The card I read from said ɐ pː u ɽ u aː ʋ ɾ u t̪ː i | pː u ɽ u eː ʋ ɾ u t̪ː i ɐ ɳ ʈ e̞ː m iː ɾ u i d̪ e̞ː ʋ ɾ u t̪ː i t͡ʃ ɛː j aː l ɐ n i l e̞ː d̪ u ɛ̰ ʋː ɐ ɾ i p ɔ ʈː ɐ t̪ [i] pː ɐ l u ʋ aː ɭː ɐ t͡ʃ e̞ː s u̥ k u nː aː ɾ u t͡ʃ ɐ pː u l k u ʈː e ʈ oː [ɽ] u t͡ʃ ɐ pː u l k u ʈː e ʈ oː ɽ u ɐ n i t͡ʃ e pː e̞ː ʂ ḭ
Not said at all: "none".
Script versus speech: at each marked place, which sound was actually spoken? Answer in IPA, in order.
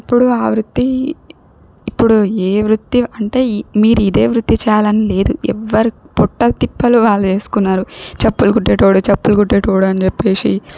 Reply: i, ɽ

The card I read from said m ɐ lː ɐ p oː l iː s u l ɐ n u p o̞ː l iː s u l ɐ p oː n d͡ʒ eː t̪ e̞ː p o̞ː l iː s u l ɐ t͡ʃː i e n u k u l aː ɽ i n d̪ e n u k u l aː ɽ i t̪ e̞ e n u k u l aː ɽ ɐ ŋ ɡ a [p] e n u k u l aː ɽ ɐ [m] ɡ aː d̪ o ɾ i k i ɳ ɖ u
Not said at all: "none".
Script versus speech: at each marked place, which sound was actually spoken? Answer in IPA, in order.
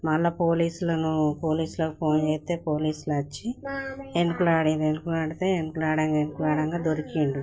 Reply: none, ŋ

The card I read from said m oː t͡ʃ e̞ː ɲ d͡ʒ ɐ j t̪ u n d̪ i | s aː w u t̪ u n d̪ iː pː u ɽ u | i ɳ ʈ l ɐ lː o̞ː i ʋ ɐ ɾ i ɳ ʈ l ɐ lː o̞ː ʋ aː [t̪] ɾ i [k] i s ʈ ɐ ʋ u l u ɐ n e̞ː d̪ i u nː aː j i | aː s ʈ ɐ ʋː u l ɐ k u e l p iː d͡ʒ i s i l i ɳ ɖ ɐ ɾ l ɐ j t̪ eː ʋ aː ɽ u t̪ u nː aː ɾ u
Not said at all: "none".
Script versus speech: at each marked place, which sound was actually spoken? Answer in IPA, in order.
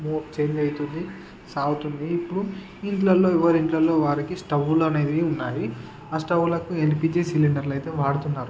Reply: none, k

